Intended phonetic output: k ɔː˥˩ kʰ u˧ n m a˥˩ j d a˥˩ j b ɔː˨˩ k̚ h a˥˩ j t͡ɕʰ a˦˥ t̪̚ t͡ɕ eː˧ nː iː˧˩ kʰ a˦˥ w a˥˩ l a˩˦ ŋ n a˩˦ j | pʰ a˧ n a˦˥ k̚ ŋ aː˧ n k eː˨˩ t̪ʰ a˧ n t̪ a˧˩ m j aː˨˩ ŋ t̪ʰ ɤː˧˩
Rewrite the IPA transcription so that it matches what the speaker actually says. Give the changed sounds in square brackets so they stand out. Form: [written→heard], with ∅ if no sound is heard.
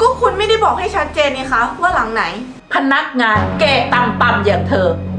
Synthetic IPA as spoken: k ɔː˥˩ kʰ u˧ n m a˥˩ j d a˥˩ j b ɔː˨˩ k̚ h a˥˩ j t͡ɕʰ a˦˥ t̪̚ t͡ɕ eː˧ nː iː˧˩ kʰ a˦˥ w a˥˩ l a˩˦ ŋ n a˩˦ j | pʰ a˧ n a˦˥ k̚ ŋ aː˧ n k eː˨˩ [t̪ʰ→t̪] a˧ [n→m] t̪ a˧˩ m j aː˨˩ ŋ t̪ʰ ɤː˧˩